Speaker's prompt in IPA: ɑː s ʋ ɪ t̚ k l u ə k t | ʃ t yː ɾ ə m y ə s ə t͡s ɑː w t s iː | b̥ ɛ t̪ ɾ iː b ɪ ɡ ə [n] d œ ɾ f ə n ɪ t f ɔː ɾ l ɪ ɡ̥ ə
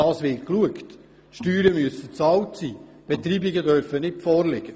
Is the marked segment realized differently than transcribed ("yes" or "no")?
yes